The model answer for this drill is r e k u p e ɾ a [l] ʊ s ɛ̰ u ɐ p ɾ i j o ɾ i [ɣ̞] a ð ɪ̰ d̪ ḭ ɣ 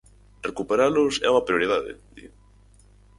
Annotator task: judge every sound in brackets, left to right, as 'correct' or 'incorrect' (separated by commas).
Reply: correct, incorrect